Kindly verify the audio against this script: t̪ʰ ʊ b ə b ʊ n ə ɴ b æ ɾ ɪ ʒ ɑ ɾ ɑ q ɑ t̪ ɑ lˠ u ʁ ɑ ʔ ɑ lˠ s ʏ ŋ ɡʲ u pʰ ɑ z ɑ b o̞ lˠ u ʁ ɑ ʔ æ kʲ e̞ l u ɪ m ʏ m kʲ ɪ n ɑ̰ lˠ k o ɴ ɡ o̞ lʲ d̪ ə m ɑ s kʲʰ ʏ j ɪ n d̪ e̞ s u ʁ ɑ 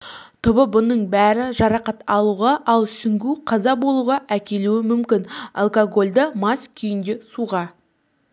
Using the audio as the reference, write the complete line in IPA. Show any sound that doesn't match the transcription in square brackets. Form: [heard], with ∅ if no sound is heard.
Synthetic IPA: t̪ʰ ʊ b ə b ʊ n ə ɴ b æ ɾ ɪ ʒ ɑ ɾ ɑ q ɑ t̪ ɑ lˠ u ʁ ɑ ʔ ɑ lˠ s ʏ ŋ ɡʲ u [qʰ] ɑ z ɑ b o̞ lˠ u ʁ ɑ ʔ æ kʲ e̞ l u ɪ m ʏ m kʲ ɪ n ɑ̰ lˠ k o [∅] ɡ o̞ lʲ d̪ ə m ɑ s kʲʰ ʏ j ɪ n d̪ e̞ s u ʁ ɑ

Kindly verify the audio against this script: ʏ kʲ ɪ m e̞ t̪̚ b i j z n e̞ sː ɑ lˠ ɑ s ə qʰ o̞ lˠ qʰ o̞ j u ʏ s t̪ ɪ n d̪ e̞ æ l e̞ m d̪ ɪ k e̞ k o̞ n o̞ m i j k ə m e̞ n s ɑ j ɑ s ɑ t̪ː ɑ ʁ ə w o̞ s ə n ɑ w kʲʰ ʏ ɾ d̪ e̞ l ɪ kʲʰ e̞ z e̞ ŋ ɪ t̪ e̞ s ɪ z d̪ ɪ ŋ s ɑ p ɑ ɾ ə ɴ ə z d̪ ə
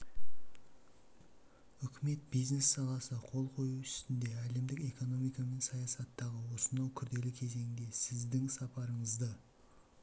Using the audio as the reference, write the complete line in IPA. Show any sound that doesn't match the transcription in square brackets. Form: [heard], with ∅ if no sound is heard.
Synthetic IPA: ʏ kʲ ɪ m e̞ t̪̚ b i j z n e̞ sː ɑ lˠ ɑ s ə qʰ o̞ lˠ qʰ o̞ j u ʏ s t̪ ɪ n d̪ e̞ æ l e̞ m d̪ ɪ k e̞ k o̞ n o̞ m i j k [ɑ] m e̞ n s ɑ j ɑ s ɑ t̪ː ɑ ʁ ə w o̞ s ə n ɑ w kʲʰ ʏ ɾ d̪ e̞ l ɪ kʲʰ e̞ z e̞ ŋ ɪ [d̪] e̞ s ɪ z d̪ ɪ ŋ s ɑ p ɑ ɾ ə ɴ ə z d̪ ə

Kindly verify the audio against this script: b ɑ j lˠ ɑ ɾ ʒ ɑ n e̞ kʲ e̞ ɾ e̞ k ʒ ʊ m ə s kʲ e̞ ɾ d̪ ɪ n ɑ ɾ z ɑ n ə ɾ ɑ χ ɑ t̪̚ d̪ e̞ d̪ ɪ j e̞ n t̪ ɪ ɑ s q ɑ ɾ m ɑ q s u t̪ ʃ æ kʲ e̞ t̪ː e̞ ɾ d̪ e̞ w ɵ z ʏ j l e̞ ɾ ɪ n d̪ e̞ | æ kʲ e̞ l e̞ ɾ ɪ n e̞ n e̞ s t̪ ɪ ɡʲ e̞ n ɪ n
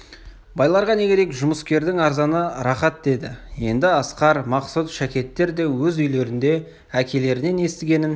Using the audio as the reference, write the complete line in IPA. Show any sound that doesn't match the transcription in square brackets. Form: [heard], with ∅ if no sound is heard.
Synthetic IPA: b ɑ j lˠ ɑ ɾ [ʁ] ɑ n e̞ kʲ e̞ ɾ e̞ k ʒ ʊ m ə s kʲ e̞ ɾ d̪ ɪ [ŋ] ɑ ɾ z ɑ n ə ɾ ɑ χ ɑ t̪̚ d̪ e̞ d̪ ɪ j e̞ n [d̪] ɪ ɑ s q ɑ ɾ m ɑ q s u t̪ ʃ æ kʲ e̞ t̪ː e̞ ɾ d̪ e̞ w ɵ z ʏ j l e̞ ɾ ɪ n d̪ e̞ | æ kʲ e̞ l e̞ ɾ ɪ n e̞ n e̞ s t̪ ɪ ɡʲ e̞ n ɪ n

